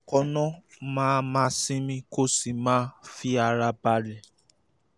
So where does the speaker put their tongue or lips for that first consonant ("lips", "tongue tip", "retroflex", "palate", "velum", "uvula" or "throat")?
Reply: velum